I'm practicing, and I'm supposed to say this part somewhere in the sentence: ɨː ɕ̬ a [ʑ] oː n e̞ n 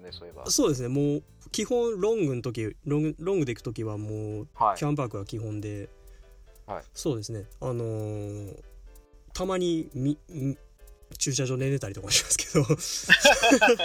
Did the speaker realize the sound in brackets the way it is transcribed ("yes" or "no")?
yes